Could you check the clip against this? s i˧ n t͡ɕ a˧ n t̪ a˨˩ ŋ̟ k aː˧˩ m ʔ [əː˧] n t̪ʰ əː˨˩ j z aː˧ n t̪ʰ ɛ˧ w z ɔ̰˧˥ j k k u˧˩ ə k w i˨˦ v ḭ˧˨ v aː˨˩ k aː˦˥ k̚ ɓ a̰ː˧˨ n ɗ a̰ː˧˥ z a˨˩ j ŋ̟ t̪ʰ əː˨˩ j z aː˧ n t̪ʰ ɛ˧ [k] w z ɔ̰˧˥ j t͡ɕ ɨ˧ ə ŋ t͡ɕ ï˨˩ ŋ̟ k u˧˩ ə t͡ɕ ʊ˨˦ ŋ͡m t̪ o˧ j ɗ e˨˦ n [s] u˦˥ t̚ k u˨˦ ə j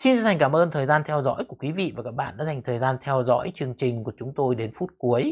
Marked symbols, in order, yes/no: yes, no, no

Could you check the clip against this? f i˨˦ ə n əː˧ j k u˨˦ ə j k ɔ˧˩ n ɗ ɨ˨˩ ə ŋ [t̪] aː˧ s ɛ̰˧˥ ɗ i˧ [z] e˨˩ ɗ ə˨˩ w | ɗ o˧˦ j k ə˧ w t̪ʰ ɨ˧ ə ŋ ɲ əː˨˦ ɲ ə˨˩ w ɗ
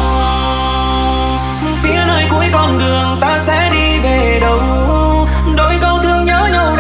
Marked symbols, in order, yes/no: yes, no

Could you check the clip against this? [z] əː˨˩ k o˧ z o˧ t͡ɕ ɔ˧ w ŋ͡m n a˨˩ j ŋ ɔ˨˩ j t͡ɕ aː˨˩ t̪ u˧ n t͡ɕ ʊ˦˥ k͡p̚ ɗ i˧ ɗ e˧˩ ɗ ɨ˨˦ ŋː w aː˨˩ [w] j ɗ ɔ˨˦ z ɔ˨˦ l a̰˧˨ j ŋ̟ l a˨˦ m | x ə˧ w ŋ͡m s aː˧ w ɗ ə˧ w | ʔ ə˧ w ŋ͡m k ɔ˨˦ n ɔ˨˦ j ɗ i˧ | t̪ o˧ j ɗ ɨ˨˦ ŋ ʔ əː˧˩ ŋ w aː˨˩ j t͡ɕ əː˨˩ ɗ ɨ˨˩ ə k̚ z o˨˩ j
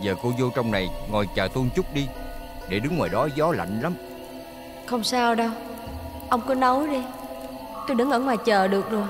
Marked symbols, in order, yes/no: yes, no

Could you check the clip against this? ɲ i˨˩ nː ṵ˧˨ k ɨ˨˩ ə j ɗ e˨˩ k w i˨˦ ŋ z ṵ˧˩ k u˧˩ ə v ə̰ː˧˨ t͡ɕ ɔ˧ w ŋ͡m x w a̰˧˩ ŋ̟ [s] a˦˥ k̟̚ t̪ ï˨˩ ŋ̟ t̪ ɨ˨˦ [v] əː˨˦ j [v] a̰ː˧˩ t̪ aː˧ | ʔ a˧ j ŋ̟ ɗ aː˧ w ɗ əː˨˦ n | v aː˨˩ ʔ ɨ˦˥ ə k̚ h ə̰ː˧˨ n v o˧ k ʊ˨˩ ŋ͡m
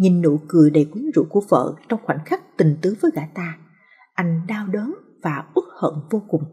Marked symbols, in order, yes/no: no, yes, no

